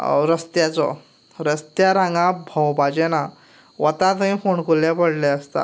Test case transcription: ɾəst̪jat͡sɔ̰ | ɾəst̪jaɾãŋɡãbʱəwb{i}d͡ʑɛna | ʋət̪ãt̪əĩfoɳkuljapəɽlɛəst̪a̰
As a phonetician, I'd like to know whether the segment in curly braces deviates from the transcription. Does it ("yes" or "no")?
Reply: yes